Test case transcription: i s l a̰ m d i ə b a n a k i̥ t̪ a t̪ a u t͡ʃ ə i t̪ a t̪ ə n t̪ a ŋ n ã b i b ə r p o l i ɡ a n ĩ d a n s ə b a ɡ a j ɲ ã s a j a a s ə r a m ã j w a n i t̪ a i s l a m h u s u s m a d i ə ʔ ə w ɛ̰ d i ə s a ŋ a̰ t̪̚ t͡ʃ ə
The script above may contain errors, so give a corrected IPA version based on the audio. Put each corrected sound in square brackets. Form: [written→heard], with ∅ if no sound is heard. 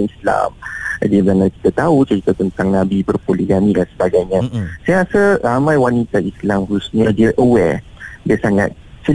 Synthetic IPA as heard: i s l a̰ m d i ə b a n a k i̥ t̪ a t̪ a u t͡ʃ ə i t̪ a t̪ ə n t̪ a ŋ n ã b i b ə r p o l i ɡ a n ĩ d a n s ə b a ɡ a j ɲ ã s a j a a s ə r a m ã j w a n i t̪ a i s l a m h u s u s [m→ɲ] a d i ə ʔ ə w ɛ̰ d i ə s a ŋ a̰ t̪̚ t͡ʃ ə